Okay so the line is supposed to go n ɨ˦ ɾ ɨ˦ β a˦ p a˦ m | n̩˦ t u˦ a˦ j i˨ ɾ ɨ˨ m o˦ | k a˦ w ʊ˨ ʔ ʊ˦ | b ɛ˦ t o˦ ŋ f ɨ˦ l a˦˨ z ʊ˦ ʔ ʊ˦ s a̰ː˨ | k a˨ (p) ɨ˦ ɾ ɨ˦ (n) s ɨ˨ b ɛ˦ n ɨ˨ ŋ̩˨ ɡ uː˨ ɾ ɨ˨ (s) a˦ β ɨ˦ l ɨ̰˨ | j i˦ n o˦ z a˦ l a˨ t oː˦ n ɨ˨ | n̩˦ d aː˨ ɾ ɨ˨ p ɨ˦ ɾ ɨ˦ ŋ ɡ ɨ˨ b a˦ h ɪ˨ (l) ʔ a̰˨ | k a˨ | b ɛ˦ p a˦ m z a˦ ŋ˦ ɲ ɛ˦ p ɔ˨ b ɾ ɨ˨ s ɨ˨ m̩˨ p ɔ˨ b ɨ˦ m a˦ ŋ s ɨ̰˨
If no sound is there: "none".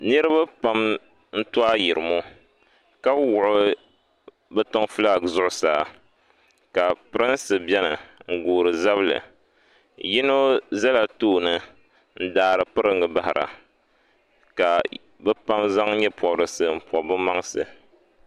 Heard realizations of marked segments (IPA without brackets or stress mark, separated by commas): p, n, z, ɾ